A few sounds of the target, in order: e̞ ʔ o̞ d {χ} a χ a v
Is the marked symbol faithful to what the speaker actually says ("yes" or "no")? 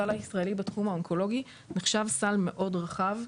no